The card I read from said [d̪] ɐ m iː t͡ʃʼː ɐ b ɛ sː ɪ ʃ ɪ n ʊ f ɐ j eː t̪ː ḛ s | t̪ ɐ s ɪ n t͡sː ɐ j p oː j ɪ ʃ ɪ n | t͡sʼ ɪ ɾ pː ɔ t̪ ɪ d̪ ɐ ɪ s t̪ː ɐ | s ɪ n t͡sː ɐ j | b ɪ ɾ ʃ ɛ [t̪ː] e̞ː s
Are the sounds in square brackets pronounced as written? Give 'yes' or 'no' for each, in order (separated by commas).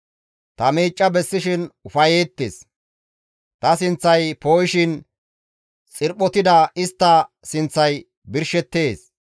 no, yes